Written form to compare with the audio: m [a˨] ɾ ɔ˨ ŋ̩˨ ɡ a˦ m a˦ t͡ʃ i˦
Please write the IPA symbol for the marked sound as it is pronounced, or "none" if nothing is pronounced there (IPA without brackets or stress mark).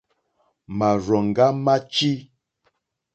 a˨